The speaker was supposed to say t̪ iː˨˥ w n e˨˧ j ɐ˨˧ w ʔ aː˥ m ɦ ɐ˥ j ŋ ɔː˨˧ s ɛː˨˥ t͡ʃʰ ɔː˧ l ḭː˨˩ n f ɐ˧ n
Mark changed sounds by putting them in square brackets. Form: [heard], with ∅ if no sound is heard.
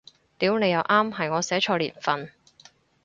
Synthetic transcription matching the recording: t̪ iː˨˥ w n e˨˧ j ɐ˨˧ w ʔ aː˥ m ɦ [ɐ˨] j ŋ ɔː˨˧ s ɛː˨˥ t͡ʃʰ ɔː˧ l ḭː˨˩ n f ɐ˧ n